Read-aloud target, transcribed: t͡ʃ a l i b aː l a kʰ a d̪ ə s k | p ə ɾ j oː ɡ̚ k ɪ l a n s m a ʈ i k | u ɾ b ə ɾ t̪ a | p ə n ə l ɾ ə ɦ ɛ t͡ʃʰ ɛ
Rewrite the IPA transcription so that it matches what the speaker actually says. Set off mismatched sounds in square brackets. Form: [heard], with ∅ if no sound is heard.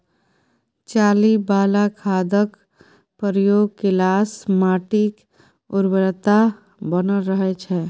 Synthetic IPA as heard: t͡ʃ a l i b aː l a kʰ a d̪ ə [∅] k | p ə ɾ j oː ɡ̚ k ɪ l a [∅] s m a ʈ i k | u ɾ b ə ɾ t̪ a | [b] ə n ə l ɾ ə ɦ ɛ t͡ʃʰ ɛ